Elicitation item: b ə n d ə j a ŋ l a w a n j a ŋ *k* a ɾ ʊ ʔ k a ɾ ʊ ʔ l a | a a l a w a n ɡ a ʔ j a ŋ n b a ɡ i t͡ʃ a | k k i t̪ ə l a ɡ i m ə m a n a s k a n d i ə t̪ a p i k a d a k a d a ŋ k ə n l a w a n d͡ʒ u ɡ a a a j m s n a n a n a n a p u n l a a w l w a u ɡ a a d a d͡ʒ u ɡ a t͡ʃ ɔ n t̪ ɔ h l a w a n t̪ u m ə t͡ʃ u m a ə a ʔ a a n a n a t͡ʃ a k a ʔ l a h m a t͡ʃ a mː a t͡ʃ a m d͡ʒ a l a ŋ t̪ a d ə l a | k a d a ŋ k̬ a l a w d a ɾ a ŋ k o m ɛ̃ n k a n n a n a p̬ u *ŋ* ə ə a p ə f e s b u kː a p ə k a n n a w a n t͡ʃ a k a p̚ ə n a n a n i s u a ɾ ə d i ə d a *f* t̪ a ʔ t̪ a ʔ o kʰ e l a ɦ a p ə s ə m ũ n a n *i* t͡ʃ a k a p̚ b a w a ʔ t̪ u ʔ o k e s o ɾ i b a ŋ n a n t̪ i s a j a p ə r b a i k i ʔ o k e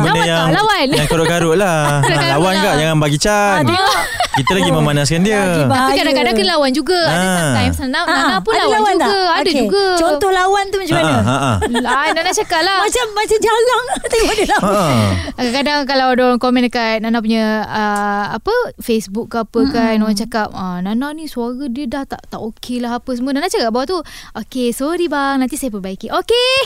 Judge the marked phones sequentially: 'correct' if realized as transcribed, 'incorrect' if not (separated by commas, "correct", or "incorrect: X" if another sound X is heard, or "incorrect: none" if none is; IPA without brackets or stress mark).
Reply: correct, incorrect: ɲ, incorrect: h, incorrect: a